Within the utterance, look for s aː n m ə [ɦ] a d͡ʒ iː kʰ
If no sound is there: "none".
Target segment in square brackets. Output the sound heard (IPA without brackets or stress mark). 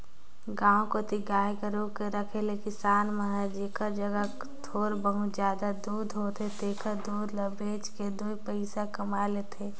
ɦ